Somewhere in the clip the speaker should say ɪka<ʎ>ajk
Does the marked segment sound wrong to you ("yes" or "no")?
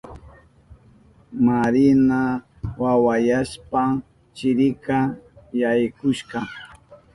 yes